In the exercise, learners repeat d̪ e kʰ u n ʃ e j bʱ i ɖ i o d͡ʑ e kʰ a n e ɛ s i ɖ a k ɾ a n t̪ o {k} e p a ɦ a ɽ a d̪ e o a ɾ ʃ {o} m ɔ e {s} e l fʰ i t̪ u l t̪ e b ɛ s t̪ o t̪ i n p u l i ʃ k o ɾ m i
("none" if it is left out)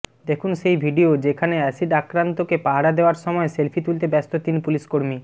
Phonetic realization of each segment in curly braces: k, ɔ, s

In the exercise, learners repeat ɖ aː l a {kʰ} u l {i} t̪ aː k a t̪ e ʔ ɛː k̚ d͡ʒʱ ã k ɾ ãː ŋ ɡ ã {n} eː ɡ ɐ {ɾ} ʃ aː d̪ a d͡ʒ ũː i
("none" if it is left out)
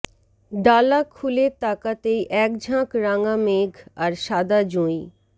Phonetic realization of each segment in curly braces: kʰ, e, m, ɾ

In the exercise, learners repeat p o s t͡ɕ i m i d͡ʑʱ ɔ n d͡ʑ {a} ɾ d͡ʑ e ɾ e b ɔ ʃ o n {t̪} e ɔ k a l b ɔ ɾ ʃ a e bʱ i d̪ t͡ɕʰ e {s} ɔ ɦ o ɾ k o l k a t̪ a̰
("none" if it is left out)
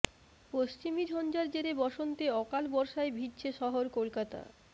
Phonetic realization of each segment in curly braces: a, t̪, ʃ

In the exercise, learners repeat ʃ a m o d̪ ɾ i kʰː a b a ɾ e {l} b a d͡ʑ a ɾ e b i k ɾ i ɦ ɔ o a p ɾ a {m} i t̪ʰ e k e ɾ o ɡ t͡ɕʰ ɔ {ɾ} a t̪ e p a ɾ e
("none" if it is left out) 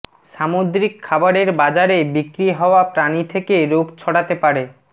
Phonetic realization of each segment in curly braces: ɾ, n, ɽ

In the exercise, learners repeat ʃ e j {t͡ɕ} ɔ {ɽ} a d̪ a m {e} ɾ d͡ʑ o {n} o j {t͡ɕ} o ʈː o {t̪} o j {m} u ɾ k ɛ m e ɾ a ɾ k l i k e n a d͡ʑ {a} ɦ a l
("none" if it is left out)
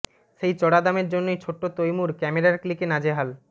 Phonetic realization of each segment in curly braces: t͡ɕ, ɽ, e, nː, t͡ɕʰ, t̪, m, e

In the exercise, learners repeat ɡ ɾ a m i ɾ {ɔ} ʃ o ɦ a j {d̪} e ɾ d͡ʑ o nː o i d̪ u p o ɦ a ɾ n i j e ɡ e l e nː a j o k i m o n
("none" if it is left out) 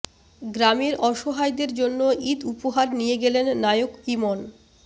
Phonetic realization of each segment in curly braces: ɔ, d̪

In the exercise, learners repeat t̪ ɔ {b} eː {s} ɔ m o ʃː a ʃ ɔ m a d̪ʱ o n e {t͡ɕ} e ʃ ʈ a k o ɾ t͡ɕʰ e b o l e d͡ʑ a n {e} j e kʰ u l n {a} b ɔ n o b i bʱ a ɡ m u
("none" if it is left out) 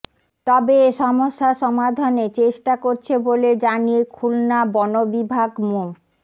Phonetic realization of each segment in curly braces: b, ʃ, t͡ɕ, i, a

